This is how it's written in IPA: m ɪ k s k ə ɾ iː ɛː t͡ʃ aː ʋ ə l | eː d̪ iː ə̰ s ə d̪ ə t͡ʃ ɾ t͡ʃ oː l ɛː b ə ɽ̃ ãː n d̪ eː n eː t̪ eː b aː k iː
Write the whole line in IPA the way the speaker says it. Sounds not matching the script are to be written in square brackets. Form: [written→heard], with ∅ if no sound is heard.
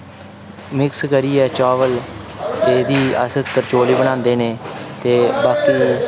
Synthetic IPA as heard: m ɪ k s k ə ɾ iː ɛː t͡ʃ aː ʋ ə l | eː d̪ iː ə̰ s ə [d̪→t̪] ə [t͡ʃ→∅] ɾ t͡ʃ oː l [ɛː→iː] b ə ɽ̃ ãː n d̪ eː n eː t̪ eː b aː k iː